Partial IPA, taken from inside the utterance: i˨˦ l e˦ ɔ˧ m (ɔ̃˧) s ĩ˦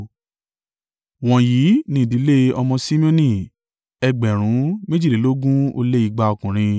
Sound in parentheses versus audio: correct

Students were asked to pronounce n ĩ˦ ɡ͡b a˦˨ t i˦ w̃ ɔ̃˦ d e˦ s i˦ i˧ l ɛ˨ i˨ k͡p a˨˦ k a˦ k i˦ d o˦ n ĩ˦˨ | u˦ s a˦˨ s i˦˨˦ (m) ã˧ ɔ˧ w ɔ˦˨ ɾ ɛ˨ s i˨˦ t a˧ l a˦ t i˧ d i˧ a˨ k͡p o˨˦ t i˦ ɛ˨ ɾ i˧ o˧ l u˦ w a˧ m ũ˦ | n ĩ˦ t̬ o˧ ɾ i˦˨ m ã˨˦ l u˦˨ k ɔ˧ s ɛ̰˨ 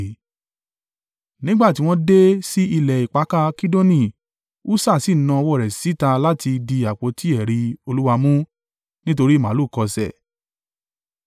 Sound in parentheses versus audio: incorrect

